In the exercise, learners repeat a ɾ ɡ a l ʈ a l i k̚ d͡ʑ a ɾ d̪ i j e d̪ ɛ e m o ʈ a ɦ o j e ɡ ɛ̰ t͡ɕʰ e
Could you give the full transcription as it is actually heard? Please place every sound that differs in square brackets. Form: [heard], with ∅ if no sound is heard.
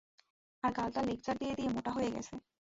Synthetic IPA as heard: a ɾ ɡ a l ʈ a l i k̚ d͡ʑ a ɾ d̪ i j e d̪ [i] e m o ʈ a ɦ o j e ɡ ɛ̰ t͡ɕʰ e